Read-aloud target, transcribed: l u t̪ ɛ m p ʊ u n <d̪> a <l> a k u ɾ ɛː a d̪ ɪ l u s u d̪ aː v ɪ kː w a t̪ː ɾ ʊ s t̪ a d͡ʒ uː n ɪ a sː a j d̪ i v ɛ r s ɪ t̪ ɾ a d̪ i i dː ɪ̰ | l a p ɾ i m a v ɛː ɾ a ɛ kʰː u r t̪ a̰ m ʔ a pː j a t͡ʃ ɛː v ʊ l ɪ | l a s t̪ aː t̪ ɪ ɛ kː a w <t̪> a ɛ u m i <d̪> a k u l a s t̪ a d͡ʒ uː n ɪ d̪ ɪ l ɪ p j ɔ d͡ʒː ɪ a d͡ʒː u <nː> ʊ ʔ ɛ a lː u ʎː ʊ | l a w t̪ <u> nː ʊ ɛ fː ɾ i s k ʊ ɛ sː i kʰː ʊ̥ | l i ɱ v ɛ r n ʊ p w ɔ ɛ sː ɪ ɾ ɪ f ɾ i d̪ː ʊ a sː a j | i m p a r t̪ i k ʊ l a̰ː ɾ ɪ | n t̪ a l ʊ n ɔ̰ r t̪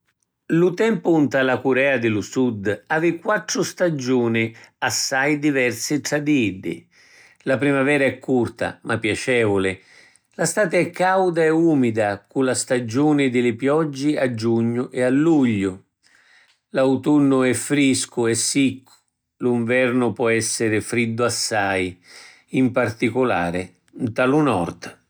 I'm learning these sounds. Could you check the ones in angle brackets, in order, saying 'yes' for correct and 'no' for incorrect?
no, yes, no, yes, no, yes

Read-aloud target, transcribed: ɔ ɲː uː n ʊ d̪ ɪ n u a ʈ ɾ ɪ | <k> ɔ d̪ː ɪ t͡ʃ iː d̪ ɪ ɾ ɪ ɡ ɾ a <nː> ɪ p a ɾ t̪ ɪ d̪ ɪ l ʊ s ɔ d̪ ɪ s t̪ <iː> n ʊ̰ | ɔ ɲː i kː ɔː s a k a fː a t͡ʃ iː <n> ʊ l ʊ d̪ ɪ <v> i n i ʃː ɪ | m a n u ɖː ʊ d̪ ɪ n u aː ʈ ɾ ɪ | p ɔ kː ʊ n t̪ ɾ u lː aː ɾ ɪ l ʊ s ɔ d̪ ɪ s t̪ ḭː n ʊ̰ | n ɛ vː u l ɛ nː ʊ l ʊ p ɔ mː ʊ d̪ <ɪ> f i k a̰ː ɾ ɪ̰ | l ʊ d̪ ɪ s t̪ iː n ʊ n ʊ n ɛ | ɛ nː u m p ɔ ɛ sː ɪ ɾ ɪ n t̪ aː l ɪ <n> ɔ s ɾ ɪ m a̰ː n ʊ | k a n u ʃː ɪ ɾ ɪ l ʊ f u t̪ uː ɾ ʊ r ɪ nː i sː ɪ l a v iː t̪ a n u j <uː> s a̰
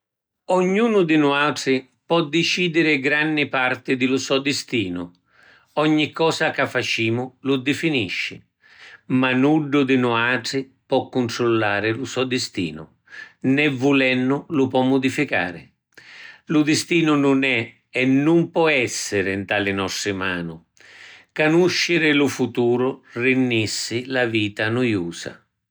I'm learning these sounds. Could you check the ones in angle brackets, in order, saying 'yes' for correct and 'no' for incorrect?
no, yes, yes, no, no, no, yes, yes

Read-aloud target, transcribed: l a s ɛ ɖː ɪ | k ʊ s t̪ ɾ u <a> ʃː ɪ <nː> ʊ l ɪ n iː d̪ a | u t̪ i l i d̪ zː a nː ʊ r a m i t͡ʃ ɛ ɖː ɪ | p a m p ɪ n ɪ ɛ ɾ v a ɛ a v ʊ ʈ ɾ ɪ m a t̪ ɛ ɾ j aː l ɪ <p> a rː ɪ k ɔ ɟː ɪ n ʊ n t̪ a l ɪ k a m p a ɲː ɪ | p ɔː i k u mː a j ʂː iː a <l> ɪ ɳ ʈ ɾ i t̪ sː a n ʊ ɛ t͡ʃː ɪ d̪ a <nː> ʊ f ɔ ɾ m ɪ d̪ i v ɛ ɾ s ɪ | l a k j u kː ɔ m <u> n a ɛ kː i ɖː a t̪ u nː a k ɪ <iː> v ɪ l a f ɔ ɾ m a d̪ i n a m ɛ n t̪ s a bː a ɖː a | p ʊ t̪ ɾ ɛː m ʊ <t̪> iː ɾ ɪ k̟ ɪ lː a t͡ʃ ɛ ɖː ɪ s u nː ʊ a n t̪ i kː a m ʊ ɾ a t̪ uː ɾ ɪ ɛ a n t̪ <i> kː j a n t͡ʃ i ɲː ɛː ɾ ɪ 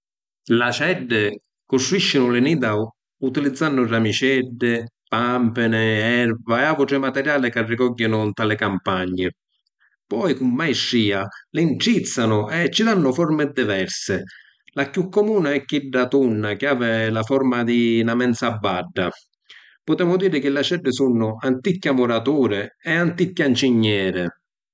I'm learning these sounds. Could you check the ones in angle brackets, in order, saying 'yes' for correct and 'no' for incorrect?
no, no, no, yes, yes, no, no, no, yes

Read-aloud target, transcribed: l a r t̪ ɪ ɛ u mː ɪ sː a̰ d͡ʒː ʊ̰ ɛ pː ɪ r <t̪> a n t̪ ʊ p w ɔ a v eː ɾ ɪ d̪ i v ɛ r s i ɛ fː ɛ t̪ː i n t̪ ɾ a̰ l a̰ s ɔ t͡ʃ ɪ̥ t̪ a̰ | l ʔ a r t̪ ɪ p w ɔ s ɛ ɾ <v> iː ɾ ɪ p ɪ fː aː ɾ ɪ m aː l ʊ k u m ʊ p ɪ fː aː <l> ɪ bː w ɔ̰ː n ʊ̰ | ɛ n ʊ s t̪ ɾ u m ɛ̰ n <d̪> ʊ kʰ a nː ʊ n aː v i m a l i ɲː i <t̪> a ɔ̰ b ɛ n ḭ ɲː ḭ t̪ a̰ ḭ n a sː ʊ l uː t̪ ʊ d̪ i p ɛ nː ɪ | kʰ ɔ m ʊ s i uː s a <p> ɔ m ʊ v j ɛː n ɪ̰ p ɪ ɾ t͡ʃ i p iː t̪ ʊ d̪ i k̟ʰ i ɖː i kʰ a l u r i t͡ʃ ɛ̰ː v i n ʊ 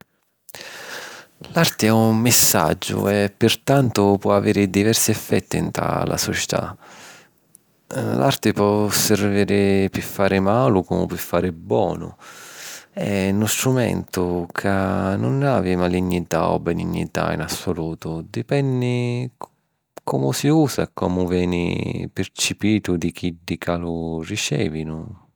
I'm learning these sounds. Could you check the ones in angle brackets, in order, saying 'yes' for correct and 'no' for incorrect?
yes, yes, no, no, yes, no

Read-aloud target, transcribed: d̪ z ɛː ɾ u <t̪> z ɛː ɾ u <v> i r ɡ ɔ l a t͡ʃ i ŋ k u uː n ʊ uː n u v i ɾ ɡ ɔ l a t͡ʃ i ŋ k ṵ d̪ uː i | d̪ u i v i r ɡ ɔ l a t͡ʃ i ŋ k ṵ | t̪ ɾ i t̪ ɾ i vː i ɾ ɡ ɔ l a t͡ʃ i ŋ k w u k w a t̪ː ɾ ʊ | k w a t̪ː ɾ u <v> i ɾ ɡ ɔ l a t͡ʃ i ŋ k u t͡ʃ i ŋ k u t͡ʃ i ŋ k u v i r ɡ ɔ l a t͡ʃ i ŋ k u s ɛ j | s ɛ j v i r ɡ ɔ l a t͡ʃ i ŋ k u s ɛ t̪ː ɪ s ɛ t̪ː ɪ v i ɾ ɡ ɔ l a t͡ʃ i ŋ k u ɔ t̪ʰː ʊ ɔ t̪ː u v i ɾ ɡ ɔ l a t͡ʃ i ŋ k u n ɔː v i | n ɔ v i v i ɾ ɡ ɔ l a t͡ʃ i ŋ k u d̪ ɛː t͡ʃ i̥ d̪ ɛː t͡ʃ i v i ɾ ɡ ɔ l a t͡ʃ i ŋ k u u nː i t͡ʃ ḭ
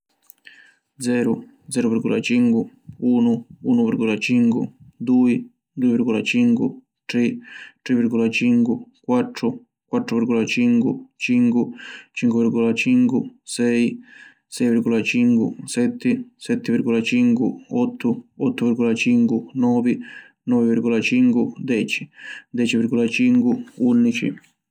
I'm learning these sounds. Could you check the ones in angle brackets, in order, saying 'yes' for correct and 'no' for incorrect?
no, yes, yes

